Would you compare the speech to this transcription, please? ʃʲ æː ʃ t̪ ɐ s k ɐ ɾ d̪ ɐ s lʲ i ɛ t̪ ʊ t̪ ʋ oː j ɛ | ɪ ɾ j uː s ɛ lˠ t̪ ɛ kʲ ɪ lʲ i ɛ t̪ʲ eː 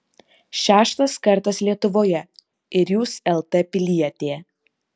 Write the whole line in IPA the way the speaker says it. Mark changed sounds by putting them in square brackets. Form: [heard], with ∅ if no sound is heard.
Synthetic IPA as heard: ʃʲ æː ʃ t̪ ɐ s k ɐ ɾ [t̪] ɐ s lʲ i ɛ t̪ ʊ [∅] ʋ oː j ɛ | ɪ ɾ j uː s ɛ lˠ t̪ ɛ [pʲ] ɪ lʲ i ɛ t̪ʲ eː